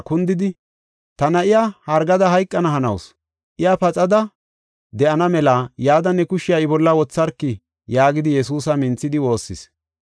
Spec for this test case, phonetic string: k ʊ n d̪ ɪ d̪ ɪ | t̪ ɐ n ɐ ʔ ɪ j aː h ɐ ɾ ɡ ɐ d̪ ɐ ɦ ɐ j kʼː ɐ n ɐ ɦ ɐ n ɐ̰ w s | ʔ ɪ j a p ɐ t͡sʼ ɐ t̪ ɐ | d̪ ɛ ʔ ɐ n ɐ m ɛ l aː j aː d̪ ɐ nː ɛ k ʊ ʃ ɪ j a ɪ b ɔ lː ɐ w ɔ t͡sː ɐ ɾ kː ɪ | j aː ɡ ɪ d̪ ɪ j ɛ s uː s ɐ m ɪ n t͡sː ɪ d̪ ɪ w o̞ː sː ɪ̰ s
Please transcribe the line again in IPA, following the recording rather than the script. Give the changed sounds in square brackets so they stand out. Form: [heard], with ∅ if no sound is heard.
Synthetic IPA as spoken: k ʊ n d̪ ɪ d̪ ɪ | t̪ ɐ n ɐ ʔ ɪ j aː h ɐ ɾ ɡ ɐ d̪ ɐ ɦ ɐ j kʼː ɐ n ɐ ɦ ɐ n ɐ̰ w s | ʔ ɪ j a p ɐ t͡sʼ ɐ [d̪] ɐ | d̪ ɛ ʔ ɐ n ɐ m ɛ l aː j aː d̪ ɐ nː ɛ k ʊ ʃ ɪ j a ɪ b ɔ lː ɐ w ɔ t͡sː ɐ ɾ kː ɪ | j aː ɡ ɪ d̪ ɪ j ɛ s uː s ɐ m ɪ n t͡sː ɪ d̪ ɪ w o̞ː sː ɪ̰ s